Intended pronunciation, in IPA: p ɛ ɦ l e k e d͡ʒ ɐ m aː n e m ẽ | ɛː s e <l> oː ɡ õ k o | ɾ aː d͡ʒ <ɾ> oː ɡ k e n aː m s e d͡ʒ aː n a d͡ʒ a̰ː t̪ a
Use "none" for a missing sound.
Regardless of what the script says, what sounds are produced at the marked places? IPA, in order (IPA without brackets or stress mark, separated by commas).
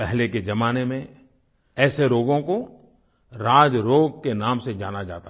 ɾ, ɾ